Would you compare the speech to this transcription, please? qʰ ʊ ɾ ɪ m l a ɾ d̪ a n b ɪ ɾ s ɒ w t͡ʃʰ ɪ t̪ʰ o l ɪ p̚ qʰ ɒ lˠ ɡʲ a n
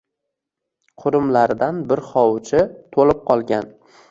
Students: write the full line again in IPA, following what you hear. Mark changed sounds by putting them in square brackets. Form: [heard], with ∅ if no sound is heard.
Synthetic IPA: qʰ ʊ ɾ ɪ m l a ɾ d̪ a n b ɪ ɾ [χ] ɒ w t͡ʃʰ ɪ t̪ʰ o l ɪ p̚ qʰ ɒ lˠ ɡʲ a n